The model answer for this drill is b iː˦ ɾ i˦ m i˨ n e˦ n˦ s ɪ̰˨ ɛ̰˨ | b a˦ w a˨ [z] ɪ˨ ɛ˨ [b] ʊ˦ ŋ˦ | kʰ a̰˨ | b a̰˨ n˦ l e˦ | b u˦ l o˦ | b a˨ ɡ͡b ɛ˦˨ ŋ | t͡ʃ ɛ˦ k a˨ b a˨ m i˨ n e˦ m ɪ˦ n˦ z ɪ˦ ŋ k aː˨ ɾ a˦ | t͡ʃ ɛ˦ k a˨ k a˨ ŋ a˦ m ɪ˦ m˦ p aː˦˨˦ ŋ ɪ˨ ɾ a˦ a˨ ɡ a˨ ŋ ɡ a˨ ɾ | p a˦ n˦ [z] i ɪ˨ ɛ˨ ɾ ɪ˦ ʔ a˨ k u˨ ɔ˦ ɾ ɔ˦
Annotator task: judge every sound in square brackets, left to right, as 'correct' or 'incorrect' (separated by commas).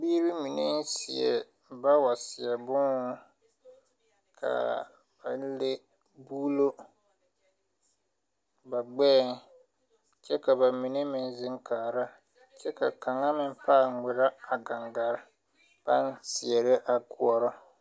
incorrect, correct, incorrect